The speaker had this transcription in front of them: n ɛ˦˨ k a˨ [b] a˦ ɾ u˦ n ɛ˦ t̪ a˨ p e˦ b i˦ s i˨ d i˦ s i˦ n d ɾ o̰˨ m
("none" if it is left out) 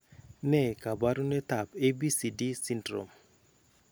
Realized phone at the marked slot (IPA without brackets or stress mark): b